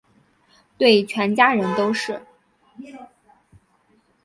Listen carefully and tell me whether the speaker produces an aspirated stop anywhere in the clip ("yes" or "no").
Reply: yes